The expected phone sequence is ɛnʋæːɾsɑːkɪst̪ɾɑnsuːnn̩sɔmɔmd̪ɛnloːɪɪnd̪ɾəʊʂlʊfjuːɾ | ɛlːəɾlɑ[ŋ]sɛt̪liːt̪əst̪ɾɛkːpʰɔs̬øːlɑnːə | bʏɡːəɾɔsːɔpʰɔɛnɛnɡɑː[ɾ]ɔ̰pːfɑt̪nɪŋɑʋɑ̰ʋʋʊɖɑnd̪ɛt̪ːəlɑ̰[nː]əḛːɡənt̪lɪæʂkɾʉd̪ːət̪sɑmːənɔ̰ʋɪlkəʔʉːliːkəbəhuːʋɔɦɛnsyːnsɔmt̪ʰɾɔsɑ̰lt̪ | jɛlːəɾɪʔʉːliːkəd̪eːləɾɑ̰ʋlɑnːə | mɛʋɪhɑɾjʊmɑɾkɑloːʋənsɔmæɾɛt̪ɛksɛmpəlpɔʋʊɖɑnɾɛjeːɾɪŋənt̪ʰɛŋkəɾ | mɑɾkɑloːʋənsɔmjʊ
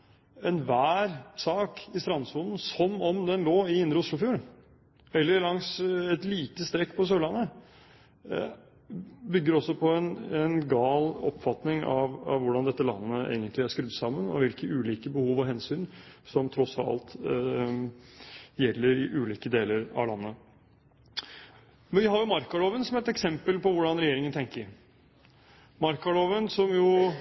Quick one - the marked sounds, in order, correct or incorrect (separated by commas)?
correct, incorrect, correct